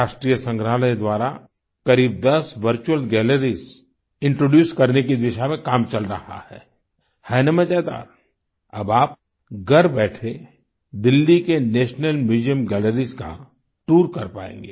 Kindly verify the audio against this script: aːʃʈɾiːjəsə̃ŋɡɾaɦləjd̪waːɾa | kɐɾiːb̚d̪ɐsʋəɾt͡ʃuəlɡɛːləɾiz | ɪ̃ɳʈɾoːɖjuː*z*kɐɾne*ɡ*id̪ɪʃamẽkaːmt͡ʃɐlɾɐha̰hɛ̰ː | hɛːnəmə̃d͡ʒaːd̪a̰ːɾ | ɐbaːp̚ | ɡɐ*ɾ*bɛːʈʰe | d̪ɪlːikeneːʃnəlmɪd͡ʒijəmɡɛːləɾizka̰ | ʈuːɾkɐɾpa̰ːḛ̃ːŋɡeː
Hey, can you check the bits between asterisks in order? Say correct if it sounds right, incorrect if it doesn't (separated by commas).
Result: incorrect, incorrect, correct